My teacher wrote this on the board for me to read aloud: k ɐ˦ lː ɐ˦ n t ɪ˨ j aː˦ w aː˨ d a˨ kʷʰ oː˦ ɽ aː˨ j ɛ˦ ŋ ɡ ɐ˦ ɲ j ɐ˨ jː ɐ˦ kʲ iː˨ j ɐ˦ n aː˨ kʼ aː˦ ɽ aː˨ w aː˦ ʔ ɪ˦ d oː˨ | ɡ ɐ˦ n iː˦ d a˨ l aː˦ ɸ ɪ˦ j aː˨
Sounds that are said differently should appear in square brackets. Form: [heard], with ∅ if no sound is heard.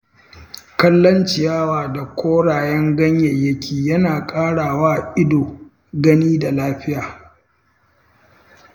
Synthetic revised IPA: k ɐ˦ lː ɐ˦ n [t͡ʃ] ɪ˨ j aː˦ w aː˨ d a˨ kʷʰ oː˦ ɽ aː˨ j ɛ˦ ŋ ɡ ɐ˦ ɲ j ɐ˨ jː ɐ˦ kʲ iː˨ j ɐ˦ n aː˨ kʼ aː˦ ɽ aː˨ w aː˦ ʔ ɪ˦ d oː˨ | ɡ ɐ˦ n iː˦ d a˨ l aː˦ ɸ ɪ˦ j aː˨

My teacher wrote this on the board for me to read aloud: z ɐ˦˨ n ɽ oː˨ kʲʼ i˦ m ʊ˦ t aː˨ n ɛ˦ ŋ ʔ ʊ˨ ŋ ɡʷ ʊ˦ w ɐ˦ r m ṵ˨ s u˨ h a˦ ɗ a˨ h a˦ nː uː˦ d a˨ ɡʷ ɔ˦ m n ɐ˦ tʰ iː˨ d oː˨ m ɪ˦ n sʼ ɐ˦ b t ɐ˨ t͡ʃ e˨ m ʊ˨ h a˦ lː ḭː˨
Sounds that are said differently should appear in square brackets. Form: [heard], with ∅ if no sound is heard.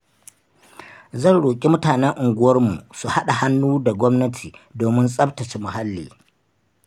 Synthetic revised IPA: z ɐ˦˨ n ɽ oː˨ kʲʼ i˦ m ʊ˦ t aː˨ n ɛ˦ ŋ ʔ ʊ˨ ŋ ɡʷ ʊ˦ w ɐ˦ r m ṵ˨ s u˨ h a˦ ɗ a˨ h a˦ nː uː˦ d a˨ ɡʷ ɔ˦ m n ɐ˦ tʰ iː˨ d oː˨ m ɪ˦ n sʼ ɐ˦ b t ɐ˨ t͡ʃ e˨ m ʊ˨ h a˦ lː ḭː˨

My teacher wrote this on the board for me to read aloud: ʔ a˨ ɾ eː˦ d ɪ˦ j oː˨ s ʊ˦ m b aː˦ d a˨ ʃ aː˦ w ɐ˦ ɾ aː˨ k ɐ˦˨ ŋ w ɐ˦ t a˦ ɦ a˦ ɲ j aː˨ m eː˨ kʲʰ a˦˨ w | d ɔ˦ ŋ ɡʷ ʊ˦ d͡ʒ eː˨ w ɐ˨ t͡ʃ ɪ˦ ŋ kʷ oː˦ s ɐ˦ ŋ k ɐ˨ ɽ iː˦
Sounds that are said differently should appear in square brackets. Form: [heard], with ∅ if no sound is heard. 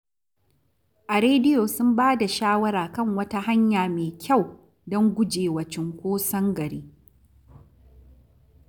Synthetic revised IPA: ʔ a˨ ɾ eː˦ d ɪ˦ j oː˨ s ʊ˦ m b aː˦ d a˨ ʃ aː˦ w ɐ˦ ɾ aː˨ k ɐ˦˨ ŋ w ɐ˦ t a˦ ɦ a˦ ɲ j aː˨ m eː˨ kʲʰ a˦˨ w | d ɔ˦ ŋ ɡʷ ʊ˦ d͡ʒ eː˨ w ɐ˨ t͡ʃ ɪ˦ ŋ kʷ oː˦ s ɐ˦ ŋ [ɡ] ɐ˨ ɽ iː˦

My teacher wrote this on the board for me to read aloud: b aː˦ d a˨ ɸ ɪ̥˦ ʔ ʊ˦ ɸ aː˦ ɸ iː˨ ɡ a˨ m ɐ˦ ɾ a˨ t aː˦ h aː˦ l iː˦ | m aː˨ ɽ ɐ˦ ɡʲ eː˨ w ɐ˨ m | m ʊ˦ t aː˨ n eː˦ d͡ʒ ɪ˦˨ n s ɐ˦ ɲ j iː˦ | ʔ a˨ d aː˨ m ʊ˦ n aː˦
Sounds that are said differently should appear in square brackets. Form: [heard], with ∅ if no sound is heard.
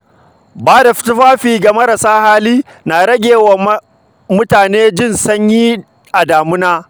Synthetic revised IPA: b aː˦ d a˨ ɸ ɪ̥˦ [t] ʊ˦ ɸ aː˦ ɸ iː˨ ɡ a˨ m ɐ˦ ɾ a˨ [s] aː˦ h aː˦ l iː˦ | [n] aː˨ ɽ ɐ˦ ɡʲ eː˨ w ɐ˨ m | m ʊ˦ t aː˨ n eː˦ d͡ʒ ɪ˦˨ n s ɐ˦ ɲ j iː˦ | ʔ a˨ d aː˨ m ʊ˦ n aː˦

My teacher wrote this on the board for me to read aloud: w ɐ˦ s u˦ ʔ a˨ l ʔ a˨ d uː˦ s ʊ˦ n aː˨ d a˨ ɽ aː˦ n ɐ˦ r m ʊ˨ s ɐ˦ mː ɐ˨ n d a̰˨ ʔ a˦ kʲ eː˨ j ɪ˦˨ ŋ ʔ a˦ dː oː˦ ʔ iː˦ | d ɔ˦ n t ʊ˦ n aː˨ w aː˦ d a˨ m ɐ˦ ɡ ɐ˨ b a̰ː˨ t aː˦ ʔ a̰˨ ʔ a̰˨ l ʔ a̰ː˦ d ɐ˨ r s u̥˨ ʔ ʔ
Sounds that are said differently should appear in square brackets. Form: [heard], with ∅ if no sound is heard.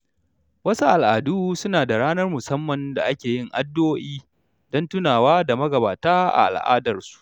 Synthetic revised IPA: w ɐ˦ s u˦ ʔ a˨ l ʔ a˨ d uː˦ s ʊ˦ n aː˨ d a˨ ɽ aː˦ n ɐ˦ r m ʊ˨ s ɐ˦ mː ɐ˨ n d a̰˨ ʔ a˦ kʲ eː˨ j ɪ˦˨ ŋ ʔ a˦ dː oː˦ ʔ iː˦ | d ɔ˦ n t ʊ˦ n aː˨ w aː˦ d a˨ m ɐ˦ ɡ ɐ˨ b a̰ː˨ t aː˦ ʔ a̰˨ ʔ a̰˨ l ʔ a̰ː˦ d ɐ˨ r s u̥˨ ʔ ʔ

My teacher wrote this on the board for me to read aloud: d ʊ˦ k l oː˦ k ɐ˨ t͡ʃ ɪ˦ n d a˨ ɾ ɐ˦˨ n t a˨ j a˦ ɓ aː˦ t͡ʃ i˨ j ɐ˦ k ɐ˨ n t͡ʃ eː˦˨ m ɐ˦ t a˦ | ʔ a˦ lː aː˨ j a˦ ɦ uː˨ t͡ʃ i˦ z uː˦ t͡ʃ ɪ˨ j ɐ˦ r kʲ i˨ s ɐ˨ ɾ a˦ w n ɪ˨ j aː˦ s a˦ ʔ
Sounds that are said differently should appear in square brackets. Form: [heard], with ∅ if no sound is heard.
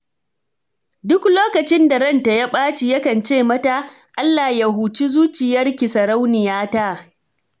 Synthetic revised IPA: d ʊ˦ k l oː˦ k ɐ˨ t͡ʃ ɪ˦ n d a˨ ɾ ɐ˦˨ n t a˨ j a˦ ɓ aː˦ t͡ʃ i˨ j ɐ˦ k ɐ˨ n t͡ʃ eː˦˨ m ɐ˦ t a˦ | ʔ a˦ lː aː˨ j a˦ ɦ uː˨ t͡ʃ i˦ z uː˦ t͡ʃ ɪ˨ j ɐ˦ r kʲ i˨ s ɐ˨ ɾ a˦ w n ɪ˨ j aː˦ [t] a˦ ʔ

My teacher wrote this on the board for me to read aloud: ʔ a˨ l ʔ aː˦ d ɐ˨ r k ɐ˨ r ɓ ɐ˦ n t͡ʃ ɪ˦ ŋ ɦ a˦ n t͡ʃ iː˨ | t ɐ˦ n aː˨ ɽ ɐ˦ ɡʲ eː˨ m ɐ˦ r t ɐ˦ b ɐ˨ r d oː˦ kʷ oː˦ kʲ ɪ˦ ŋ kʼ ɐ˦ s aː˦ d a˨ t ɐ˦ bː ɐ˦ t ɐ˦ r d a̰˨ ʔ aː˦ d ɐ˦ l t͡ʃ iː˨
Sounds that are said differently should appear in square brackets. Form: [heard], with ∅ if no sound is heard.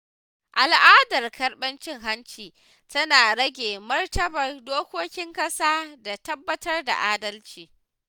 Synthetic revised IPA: ʔ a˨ l ʔ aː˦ d ɐ˨ r k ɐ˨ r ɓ ɐ˦ n t͡ʃ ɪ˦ ŋ ɦ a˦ n t͡ʃ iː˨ | t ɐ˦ n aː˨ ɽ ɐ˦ ɡʲ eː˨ m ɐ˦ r t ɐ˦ b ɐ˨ r d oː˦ kʷ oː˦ kʲ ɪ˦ ŋ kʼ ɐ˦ s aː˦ d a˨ t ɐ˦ bː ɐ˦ t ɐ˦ r d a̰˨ ʔ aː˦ d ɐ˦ l t͡ʃ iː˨

